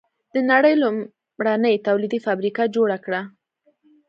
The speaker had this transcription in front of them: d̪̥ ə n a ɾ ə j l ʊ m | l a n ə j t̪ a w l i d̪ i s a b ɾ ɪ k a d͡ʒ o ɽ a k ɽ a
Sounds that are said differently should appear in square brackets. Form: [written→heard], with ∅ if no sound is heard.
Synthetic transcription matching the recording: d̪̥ ə n a [ɾ→ɽ] ə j l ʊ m | [l→ɽ] a n ə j t̪ a w l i d̪ i [s→f] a b ɾ [ɪ→i] k a d͡ʒ o ɽ a k ɽ a